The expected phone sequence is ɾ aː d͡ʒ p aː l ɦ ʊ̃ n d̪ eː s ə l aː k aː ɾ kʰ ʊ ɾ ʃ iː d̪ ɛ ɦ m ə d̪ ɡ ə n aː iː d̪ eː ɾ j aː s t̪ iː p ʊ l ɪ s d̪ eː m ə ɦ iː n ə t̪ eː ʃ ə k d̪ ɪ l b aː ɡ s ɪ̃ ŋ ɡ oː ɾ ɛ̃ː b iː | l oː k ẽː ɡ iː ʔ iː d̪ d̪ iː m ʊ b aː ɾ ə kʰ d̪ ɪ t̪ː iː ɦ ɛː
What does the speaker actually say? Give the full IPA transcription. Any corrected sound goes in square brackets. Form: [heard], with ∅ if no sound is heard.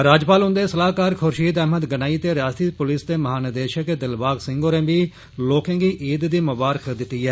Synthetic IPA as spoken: ɾ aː d͡ʒ p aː l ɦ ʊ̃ n d̪ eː s ə l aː k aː ɾ kʰ ʊ ɾ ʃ iː d̪ ɛ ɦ m ə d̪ ɡ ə n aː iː [t̪] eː ɾ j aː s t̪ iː p ʊ l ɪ s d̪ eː m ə ɦ [aː] n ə [d̪] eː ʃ ə k d̪ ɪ l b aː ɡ s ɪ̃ ŋ ɡ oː ɾ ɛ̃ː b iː | l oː k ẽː ɡ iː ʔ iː d̪ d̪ iː m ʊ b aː ɾ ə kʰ d̪ ɪ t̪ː iː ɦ ɛː